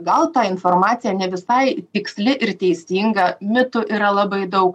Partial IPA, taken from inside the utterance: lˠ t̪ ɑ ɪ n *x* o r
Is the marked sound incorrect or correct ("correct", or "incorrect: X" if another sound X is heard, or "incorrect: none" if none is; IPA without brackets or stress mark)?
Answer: incorrect: f